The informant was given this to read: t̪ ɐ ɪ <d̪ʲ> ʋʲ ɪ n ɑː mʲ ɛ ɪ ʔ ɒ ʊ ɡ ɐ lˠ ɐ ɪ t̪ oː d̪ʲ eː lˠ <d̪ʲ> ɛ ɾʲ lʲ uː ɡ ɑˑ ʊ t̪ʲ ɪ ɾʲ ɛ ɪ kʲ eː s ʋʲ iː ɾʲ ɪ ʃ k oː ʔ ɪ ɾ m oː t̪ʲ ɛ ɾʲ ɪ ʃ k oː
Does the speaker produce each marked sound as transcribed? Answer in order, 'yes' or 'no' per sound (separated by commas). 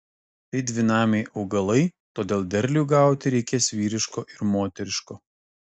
yes, yes